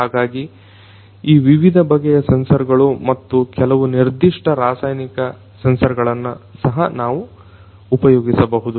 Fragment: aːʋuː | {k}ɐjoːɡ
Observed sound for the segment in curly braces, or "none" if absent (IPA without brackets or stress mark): p